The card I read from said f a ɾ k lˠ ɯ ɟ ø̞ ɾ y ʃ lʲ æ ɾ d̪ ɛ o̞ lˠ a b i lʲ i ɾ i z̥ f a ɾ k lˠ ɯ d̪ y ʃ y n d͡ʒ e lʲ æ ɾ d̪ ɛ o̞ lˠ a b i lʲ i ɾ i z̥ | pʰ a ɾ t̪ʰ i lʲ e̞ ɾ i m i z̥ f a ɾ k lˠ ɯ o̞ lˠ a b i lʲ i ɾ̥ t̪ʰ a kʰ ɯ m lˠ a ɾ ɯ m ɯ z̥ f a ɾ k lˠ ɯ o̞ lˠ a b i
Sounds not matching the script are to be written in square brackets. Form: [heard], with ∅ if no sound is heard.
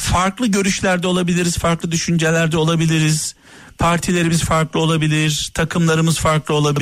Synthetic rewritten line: f a ɾ k lˠ ɯ ɟ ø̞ ɾ y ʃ lʲ æ ɾ d̪ ɛ o̞ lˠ a b i lʲ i ɾ i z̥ f a ɾ k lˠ ɯ d̪ y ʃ y n d͡ʒ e lʲ æ ɾ d̪ ɛ o̞ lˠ a b i lʲ i ɾ i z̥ | pʰ a ɾ t̪ʰ i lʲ e̞ ɾ i m i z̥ f a ɾ k lˠ ɯ o̞ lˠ a b i lʲ i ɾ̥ t̪ʰ a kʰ ɯ m lˠ a ɾ ɯ m ɯ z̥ f a ɾ k lˠ ɯ o̞ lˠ a b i